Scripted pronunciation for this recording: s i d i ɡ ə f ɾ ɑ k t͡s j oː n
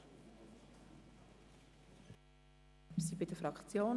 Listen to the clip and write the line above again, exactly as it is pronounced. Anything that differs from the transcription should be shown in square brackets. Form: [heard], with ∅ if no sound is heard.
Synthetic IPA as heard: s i [b] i [d] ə f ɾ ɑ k t͡s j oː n

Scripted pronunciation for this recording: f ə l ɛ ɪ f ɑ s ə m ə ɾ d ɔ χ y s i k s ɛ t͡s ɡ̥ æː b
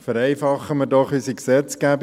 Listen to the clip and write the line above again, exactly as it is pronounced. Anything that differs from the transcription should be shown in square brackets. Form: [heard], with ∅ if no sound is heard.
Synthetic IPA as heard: f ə [ɾ] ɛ ɪ f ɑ [χ] ə m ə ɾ d ɔ χ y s i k s ɛ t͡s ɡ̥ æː b

